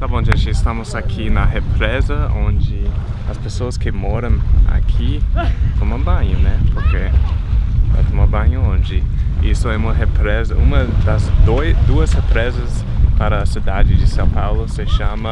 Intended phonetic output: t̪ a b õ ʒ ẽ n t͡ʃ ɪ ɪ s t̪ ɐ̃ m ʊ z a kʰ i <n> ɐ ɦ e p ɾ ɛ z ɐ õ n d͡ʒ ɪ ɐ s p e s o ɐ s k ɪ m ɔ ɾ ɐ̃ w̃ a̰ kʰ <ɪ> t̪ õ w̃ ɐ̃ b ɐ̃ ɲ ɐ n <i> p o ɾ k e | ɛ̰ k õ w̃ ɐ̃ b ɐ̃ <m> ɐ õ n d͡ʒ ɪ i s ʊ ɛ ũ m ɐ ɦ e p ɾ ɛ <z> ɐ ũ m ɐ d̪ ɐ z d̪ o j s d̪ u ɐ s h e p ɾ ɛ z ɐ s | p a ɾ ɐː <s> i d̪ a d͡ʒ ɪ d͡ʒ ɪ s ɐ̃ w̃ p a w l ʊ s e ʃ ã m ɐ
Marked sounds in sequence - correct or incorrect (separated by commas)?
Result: correct, incorrect, incorrect, incorrect, correct, correct